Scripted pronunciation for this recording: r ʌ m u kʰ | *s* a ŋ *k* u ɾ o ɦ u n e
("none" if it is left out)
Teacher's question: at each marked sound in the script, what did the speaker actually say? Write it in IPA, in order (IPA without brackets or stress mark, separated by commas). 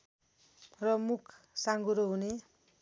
s, ɡ